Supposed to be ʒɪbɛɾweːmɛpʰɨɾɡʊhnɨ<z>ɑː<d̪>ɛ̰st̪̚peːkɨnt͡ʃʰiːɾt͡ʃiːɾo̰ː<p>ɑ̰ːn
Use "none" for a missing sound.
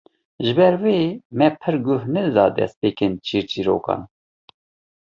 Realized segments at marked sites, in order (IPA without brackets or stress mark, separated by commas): z, d̪, k